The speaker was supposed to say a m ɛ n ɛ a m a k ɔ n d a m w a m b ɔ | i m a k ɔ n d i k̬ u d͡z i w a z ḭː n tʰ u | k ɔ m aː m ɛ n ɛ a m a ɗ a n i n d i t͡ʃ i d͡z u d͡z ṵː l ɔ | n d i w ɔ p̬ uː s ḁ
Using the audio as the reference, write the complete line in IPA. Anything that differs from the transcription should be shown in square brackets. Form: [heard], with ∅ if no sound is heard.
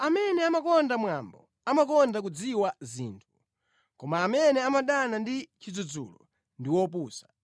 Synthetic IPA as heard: a m ɛ n ɛ a m a k ɔ n d a m w a m b ɔ | [a] m a k ɔ n d [a] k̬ u d͡z i w a z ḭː n tʰ u | k ɔ m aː m ɛ n ɛ a m a ɗ a n [a] n d i t͡ʃ i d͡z u d͡z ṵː l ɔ | n d i w ɔ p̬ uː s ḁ